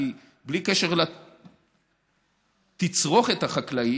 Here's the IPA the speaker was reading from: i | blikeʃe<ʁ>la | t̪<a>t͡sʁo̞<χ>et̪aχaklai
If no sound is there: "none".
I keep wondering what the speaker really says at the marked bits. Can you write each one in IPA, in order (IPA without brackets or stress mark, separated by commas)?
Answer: ʁ, i, χ